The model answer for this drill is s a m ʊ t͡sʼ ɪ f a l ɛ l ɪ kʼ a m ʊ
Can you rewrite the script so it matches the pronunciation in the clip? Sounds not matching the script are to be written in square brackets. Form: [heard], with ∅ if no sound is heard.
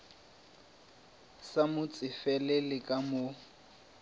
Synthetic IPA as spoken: s a m ʊ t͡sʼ ɪ f [ɛ] l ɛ l ɪ kʼ a m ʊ